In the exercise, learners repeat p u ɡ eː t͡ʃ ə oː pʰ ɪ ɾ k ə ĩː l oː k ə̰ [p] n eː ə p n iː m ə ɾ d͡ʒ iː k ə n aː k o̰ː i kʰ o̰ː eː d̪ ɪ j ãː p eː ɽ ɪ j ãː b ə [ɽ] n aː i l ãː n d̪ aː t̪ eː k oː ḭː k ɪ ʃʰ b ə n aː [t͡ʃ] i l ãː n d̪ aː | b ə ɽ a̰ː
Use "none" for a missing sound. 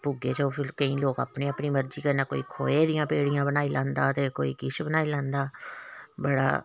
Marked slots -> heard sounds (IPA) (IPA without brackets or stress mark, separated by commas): p, none, none